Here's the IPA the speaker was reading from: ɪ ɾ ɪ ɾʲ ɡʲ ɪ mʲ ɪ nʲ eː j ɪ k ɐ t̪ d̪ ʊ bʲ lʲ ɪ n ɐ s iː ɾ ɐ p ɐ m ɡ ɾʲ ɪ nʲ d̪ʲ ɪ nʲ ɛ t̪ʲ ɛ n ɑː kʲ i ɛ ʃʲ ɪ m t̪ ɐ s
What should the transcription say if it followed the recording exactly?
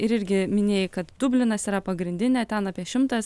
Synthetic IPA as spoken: ɪ ɾ ɪ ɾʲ ɡʲ ɪ mʲ ɪ nʲ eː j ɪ k ɐ t̪ d̪ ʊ bʲ lʲ ɪ n ɐ s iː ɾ ɐ p ɐ ɡ ɾʲ ɪ nʲ d̪ʲ ɪ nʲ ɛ t̪ʲ ɛ n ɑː pʲ i ɛ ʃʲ ɪ m t̪ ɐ s